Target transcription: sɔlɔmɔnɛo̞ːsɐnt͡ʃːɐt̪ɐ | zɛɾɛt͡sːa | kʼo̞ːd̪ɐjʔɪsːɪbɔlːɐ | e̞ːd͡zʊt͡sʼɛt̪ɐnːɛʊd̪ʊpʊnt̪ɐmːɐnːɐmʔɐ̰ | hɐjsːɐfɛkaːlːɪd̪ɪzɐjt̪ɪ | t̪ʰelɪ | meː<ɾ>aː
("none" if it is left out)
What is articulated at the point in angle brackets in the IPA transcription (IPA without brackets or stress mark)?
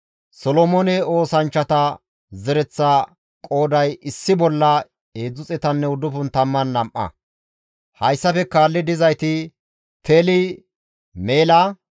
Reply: l